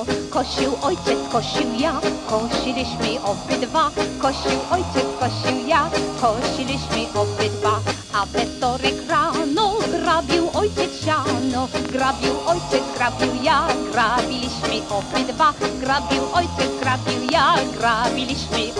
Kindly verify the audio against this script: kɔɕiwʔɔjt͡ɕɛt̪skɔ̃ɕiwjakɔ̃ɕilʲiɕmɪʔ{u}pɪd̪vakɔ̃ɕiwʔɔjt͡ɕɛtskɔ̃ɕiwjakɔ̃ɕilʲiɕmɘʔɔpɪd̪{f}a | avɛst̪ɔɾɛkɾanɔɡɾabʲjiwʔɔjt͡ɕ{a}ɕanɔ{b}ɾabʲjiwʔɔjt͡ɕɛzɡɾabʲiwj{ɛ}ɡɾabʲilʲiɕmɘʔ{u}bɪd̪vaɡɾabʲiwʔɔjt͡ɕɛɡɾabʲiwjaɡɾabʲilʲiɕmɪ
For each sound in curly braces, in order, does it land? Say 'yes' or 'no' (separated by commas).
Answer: no, no, no, no, no, no